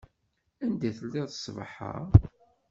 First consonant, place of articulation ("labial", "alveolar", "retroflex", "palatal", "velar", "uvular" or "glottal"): alveolar